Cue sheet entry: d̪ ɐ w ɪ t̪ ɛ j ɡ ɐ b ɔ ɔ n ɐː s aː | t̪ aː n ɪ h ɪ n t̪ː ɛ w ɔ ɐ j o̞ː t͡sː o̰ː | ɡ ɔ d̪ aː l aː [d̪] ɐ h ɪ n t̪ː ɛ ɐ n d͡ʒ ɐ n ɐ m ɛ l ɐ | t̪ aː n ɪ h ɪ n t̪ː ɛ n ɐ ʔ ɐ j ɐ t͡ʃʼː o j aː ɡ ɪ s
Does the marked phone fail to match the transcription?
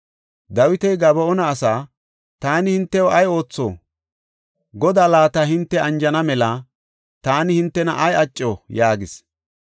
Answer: yes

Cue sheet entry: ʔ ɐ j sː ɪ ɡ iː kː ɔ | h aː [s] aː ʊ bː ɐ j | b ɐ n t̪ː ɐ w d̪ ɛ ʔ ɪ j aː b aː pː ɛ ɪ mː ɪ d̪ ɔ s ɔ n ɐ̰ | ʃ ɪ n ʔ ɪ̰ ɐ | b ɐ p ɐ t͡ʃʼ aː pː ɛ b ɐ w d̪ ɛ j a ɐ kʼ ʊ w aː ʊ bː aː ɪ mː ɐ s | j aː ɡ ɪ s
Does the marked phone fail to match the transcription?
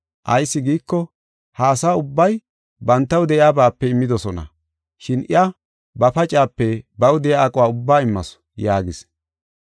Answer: no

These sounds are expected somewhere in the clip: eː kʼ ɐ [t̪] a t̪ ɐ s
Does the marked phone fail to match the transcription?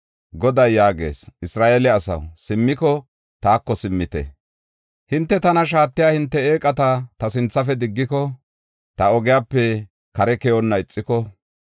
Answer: no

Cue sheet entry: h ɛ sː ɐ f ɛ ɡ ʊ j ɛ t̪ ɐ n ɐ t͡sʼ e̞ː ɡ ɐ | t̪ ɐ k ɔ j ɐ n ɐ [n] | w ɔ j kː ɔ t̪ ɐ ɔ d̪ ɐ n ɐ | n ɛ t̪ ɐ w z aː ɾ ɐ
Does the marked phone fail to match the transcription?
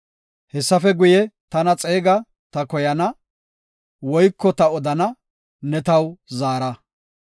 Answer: yes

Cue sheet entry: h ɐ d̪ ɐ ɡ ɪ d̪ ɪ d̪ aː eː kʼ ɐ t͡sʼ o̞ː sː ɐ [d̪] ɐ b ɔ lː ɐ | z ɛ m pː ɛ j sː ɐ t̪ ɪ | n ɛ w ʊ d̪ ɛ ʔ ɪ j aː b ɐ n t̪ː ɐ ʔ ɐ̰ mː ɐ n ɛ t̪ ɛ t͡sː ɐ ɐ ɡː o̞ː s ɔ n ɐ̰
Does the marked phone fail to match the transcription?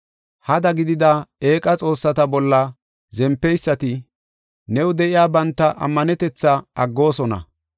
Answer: yes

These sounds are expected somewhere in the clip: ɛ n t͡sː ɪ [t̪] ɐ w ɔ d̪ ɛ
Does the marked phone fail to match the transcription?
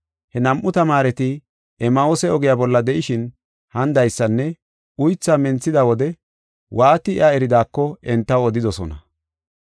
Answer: yes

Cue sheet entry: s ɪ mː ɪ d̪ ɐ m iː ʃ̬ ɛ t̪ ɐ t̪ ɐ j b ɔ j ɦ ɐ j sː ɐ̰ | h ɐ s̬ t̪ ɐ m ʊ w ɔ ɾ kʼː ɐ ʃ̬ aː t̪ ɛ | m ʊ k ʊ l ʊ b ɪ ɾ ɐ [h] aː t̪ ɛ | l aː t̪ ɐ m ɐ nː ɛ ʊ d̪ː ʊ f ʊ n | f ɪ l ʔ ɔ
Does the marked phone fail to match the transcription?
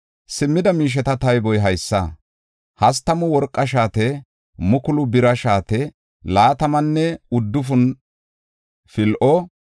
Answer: yes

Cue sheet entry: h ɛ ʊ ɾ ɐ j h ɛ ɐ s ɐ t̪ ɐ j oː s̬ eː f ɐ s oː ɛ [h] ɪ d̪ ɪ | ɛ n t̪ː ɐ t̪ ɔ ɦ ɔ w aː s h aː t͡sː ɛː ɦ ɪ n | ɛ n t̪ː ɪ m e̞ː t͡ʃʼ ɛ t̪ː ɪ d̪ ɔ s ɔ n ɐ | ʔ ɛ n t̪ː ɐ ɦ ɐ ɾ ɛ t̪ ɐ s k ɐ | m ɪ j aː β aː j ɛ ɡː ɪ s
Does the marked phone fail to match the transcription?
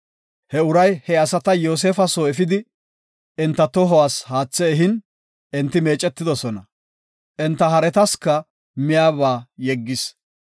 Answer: yes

